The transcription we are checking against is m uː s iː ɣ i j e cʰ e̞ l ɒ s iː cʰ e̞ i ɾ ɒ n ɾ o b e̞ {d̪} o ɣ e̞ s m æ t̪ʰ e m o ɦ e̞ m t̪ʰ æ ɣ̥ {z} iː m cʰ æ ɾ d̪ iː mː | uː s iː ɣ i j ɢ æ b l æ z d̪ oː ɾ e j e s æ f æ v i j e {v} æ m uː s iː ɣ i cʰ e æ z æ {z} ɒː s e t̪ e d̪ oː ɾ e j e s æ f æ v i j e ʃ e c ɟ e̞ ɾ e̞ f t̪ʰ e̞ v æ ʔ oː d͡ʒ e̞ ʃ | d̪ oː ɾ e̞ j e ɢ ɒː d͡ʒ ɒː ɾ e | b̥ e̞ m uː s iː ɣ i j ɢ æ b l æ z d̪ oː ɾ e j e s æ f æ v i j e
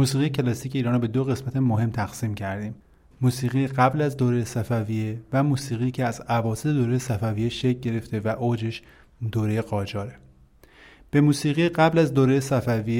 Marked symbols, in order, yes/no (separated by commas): yes, no, yes, no